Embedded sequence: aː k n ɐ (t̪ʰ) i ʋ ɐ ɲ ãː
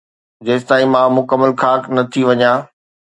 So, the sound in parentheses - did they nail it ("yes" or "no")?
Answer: yes